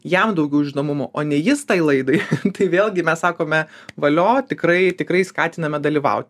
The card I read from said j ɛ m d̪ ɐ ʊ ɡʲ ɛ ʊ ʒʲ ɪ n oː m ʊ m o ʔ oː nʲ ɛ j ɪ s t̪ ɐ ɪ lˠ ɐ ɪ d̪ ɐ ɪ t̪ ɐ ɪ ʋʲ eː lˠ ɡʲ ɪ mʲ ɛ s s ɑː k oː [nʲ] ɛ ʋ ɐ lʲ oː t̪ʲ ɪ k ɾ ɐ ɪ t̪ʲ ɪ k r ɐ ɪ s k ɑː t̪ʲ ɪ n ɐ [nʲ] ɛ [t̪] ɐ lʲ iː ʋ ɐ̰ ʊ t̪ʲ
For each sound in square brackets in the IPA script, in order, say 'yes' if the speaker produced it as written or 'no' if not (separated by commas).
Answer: no, no, no